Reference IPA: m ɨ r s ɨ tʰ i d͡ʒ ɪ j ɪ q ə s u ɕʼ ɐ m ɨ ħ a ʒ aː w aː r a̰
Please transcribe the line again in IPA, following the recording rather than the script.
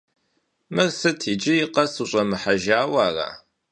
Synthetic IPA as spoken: m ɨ r s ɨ tʰ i d͡ʒ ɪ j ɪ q ɐ s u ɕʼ ɐ m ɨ ħ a ʒ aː w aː r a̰